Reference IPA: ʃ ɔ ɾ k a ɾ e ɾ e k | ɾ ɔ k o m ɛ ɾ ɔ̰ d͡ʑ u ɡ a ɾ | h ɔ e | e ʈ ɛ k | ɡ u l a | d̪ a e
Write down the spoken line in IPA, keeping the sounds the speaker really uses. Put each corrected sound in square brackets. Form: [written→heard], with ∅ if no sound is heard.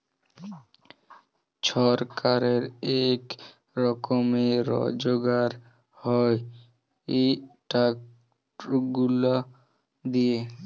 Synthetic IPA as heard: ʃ ɔ ɾ k a ɾ e ɾ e k | ɾ ɔ k o m [ɛ→e] ɾ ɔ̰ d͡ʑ [u→o] ɡ a ɾ | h ɔ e | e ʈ [ɛ→a] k | ɡ u l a | d̪ [a→i] e